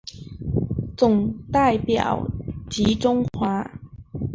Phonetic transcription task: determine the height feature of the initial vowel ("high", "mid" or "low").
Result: high